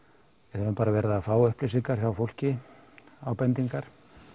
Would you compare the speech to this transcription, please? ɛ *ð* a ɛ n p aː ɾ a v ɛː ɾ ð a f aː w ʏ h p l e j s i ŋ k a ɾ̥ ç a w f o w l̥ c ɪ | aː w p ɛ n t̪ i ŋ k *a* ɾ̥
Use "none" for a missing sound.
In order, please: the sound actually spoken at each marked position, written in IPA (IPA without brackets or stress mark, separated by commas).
θ, a